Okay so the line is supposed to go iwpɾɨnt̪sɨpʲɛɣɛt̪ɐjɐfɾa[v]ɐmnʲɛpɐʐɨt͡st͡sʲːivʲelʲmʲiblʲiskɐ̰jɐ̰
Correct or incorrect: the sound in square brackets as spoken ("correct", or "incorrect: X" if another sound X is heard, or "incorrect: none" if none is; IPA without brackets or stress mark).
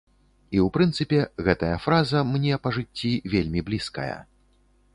incorrect: z